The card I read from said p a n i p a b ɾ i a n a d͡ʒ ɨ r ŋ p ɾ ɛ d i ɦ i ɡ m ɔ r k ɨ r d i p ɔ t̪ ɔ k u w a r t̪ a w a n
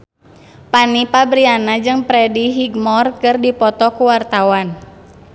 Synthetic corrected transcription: p a n i p a b ɾ i a n a d͡ʒ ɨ ŋ p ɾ ɛ d i ɦ i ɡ m ɔ r k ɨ r d i p ɔ t̪ ɔ k u w a r t̪ a w a n